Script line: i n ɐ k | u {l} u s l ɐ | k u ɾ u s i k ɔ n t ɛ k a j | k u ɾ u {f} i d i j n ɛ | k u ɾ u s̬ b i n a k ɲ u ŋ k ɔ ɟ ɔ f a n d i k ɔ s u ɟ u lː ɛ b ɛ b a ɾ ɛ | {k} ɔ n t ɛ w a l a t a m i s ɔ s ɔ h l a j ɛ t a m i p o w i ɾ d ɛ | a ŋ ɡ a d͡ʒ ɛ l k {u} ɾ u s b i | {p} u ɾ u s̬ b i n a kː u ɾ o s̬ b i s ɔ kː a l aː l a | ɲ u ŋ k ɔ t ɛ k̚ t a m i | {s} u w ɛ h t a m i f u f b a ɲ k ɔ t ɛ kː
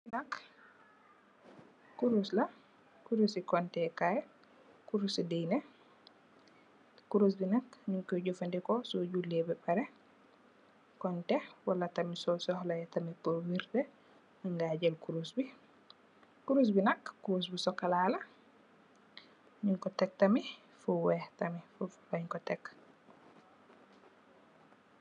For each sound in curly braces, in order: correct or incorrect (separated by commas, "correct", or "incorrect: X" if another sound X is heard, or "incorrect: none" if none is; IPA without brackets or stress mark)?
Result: incorrect: ɾ, incorrect: s, correct, correct, incorrect: k, incorrect: f